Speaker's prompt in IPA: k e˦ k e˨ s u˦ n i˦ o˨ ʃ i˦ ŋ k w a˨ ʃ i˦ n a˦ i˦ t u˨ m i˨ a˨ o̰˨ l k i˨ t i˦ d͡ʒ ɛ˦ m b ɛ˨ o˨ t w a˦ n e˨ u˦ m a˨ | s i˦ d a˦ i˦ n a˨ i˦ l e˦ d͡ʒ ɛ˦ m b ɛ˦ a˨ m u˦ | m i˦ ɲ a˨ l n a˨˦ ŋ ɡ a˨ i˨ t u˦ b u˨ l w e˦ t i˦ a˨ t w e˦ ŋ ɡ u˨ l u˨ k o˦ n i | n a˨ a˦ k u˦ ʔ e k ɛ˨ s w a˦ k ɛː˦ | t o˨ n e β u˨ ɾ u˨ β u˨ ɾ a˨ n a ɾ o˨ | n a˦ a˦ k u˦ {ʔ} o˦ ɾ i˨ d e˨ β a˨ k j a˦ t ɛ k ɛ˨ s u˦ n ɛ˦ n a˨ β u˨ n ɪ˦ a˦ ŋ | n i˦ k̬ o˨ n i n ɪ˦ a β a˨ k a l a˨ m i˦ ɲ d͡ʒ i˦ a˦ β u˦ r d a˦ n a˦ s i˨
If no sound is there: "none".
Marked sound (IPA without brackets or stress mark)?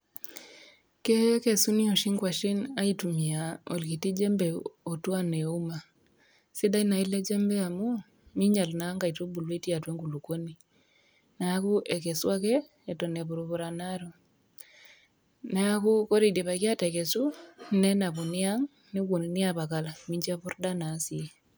k